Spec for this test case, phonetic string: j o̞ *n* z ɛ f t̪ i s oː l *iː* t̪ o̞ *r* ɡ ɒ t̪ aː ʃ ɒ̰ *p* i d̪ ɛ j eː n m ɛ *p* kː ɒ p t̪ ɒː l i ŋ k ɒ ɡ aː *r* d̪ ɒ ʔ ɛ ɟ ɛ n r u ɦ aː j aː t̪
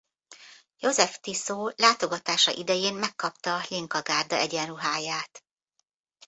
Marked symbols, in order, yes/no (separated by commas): no, no, no, no, no, yes